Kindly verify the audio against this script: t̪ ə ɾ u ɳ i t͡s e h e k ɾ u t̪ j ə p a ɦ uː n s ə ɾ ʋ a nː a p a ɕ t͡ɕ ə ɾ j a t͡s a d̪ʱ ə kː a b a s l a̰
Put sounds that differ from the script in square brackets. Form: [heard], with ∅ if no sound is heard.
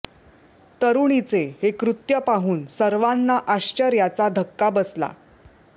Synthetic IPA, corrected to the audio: t̪ ə ɾ u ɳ i t͡s e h e k ɾ u t̪ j ə p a ɦ uː n s ə ɾ ʋ a nː a [ʔ] a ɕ t͡ɕ ə ɾ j a t͡s a d̪ʱ ə kː a b [ə] s l a̰